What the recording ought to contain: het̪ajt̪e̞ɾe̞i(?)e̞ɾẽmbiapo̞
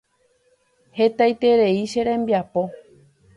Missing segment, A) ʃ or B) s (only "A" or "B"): A